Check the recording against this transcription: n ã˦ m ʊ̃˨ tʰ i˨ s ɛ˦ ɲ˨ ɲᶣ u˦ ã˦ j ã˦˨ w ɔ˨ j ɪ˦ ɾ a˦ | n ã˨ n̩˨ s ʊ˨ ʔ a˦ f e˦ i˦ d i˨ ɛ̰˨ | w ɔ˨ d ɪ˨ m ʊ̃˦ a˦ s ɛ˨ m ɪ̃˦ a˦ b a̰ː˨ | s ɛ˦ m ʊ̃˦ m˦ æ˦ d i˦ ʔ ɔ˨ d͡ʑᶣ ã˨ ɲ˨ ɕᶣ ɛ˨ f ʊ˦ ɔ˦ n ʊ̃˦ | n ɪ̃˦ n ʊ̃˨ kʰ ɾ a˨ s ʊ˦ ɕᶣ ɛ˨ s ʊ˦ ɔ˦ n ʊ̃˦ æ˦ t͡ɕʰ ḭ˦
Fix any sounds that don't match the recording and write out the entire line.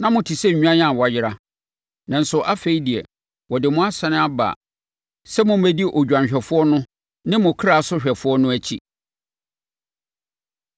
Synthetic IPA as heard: n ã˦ m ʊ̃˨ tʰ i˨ s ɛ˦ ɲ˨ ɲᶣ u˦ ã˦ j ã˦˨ w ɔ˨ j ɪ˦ ɾ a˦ | n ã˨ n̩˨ s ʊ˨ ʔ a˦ f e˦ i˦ d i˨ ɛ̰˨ | w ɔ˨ d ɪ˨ m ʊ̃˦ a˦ s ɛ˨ n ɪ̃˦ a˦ b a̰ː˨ | s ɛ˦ m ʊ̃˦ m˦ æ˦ d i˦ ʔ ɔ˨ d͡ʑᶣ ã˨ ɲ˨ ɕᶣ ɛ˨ f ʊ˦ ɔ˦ n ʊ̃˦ | n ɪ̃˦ m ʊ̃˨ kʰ ɾ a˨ s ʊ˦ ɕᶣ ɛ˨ f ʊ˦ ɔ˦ n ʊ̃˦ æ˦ t͡ɕʰ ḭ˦